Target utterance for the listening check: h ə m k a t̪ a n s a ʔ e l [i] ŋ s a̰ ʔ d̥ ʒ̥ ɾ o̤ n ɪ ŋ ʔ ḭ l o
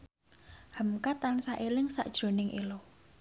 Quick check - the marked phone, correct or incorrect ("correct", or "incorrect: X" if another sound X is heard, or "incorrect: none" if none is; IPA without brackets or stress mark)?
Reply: incorrect: ɪ